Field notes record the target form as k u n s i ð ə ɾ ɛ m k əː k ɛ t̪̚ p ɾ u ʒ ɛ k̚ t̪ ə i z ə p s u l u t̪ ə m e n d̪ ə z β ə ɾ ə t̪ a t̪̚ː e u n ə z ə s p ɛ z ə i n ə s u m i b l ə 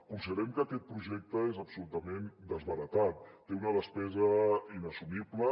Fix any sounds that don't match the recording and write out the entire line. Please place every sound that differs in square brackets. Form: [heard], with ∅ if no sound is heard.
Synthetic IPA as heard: k u n s i ð ə ɾ ɛ m k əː k ɛ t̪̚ p ɾ u ʒ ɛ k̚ t̪ ə [e] z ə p s u l u t̪ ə m e n d̪ ə z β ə ɾ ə t̪ a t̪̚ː e u n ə [ð] ə s p ɛ z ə i n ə s u m i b l ə